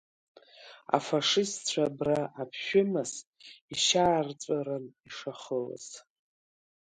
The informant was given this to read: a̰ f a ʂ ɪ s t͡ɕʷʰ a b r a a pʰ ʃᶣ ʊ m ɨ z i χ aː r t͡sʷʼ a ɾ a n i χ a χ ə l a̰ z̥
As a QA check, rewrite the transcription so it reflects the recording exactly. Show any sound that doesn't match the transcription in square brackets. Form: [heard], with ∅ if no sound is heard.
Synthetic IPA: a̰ f a ʂ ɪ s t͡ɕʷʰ a b r a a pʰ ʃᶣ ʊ m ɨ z i [ʃ] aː r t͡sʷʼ a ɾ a n i [ʂ] a χ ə l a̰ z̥